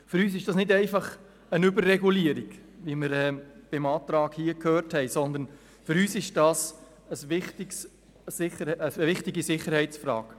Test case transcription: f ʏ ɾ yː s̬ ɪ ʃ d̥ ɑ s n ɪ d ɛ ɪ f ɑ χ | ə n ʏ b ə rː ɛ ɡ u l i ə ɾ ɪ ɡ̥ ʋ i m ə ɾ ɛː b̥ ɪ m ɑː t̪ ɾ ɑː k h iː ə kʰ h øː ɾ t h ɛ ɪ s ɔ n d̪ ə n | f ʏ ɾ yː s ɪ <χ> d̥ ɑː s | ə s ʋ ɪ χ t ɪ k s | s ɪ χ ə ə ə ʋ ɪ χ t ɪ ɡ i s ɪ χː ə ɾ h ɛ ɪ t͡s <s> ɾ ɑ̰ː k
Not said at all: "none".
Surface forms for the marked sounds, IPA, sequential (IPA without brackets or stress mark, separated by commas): ʃ, f